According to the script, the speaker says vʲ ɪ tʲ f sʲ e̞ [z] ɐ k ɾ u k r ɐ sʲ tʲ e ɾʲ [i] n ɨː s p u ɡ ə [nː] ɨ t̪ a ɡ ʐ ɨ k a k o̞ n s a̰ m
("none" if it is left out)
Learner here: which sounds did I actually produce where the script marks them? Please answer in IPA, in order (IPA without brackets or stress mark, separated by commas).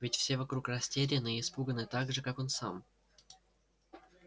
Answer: v, ɪ, n